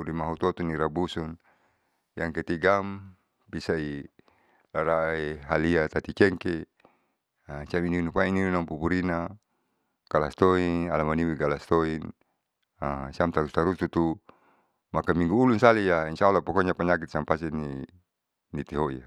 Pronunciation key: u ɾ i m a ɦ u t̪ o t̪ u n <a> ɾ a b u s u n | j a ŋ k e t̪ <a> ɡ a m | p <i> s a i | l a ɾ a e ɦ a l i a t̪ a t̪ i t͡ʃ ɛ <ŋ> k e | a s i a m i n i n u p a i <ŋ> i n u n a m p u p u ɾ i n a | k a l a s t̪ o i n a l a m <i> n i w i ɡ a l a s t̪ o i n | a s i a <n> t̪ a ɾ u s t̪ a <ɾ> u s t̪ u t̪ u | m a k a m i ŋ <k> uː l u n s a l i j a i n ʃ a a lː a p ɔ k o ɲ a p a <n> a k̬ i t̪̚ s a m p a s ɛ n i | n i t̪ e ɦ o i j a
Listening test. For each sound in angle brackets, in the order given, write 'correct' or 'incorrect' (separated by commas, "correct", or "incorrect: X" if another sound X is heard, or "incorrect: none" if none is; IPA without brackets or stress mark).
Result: incorrect: i, incorrect: i, correct, correct, incorrect: n, incorrect: a, incorrect: m, correct, incorrect: ɡ, incorrect: ɲ